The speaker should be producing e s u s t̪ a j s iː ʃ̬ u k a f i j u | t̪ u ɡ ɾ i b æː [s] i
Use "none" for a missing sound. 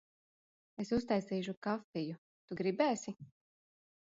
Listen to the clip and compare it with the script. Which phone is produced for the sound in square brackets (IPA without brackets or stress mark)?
s